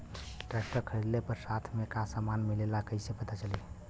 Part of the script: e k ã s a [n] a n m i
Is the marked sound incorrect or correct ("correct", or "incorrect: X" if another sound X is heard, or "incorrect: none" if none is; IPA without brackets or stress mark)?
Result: incorrect: m